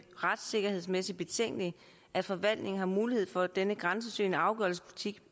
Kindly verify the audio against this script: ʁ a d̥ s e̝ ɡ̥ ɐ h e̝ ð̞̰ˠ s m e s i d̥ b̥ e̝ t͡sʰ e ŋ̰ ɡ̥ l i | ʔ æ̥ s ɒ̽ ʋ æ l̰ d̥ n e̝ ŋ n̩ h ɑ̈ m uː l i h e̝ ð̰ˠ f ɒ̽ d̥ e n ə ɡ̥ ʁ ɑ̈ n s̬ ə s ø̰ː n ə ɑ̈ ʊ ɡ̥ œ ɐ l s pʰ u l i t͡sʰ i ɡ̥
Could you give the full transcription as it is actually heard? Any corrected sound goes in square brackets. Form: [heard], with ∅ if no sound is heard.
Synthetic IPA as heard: ʁ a d̥ s e̝ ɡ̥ ɐ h e̝ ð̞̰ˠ s m e s i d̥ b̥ e̝ t͡sʰ e ŋ̰ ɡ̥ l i | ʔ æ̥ [f] ɒ̽ ʋ æ l̰ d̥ n e̝ ŋ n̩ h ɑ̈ m uː l i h e̝ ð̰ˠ f ɒ̽ d̥ e n ə ɡ̥ ʁ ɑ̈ n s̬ ə s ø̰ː n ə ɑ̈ ʊ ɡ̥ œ ɐ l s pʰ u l i t͡sʰ i ɡ̥